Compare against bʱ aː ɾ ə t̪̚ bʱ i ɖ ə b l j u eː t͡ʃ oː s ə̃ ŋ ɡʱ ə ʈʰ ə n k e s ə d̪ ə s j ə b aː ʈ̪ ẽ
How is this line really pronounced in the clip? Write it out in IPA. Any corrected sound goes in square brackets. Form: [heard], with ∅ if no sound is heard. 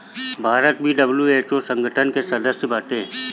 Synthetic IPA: bʱ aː ɾ ə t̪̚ bʱ i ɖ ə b l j u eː t͡ʃ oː s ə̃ ŋ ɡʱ ə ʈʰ ə n k e s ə d̪ ə s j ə b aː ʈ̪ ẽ